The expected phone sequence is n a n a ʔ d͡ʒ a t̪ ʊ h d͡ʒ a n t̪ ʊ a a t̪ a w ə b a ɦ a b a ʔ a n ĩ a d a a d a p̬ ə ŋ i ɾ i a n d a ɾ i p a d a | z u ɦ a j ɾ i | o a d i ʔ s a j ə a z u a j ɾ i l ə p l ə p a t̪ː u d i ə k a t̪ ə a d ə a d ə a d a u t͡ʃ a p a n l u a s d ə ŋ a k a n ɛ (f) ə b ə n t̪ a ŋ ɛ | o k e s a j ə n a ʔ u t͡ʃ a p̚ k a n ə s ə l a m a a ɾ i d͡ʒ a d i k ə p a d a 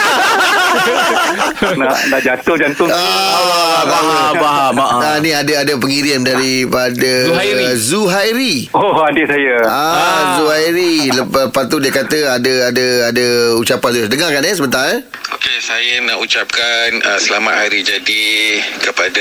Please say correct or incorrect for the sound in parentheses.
incorrect